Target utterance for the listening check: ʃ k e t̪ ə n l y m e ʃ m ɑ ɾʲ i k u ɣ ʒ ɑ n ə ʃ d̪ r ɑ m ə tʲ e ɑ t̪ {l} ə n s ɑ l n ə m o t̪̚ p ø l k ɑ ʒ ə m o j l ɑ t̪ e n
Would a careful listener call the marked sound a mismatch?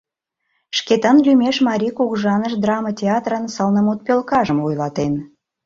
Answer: yes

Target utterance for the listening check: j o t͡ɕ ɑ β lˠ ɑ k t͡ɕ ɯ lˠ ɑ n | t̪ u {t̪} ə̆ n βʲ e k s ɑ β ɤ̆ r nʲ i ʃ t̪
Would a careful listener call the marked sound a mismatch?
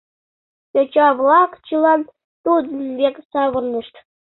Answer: yes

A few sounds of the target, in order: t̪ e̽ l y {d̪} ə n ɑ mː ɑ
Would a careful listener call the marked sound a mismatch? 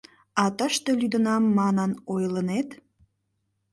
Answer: no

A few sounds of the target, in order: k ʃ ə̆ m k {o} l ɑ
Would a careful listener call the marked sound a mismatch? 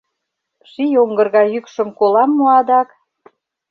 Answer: no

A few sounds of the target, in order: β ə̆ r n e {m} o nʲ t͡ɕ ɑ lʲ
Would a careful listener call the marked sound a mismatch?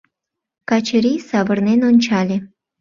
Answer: yes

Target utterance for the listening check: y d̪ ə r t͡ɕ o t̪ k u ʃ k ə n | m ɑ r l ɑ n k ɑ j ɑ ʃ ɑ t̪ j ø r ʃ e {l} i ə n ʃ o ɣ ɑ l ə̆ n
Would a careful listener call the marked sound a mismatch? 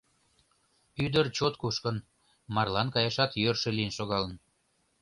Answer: no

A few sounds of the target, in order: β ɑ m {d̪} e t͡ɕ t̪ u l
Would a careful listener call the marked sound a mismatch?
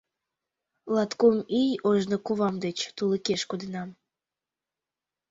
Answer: no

